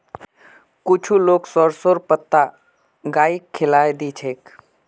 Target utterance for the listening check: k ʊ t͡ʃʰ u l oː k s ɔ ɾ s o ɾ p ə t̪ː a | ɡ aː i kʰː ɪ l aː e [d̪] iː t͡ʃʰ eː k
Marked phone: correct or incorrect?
correct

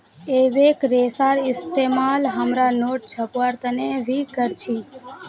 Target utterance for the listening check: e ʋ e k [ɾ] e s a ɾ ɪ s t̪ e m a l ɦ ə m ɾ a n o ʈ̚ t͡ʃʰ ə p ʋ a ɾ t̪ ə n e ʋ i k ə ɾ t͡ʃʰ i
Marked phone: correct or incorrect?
correct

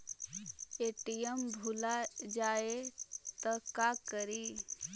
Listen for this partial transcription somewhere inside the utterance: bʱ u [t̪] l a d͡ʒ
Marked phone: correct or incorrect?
incorrect: none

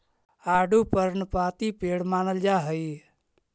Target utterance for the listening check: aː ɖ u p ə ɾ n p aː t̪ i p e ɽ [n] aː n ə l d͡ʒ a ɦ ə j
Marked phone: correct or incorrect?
incorrect: m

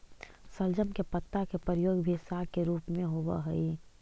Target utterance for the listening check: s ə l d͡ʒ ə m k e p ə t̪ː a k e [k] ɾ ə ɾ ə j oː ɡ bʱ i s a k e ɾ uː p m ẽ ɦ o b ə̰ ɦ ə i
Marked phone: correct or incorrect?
incorrect: p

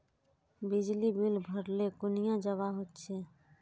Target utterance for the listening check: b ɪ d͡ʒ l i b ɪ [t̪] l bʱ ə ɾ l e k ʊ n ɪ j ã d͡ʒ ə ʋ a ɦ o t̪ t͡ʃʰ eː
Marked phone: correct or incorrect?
incorrect: none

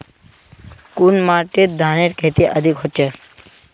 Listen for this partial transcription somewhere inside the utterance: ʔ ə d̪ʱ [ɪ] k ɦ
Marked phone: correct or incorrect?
incorrect: i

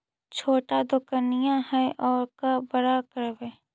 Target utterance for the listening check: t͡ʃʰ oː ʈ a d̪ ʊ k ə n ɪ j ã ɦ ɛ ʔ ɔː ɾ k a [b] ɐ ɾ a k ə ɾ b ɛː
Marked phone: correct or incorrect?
correct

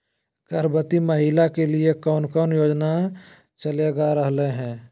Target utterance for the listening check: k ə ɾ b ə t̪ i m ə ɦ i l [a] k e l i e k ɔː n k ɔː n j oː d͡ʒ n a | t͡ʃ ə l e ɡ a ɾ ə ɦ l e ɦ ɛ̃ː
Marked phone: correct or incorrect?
correct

